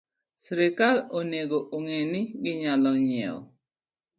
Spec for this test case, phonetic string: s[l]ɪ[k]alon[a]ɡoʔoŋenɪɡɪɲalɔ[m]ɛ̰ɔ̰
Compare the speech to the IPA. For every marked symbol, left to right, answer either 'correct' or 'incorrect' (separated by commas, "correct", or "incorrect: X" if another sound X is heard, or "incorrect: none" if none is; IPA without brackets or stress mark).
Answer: incorrect: ɾ, correct, incorrect: e, incorrect: ɲ